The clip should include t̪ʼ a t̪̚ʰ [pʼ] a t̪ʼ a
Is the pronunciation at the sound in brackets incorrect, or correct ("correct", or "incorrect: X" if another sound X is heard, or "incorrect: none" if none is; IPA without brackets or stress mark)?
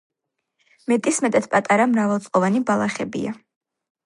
correct